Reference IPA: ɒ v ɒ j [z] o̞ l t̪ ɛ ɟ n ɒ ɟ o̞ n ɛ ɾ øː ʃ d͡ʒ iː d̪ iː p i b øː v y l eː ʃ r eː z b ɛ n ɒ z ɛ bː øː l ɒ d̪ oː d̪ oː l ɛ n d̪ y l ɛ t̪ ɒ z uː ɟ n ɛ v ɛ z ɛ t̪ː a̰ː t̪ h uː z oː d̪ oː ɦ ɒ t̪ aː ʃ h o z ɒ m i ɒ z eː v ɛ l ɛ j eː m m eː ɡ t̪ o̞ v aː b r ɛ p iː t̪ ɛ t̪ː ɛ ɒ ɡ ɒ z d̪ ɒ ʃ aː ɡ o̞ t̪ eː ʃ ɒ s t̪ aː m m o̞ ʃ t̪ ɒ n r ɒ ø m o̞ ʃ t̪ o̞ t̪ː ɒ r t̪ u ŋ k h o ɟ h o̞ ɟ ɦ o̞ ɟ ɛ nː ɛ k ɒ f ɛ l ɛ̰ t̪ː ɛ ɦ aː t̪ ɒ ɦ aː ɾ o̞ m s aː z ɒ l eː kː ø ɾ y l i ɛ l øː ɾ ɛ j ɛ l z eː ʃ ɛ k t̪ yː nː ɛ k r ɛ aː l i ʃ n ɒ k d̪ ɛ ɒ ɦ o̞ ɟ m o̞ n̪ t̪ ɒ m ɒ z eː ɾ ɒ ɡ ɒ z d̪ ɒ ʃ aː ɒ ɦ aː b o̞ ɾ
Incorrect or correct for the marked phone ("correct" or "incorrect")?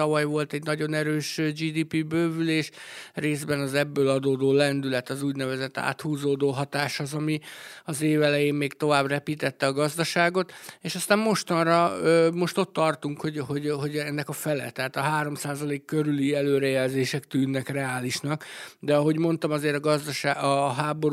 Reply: incorrect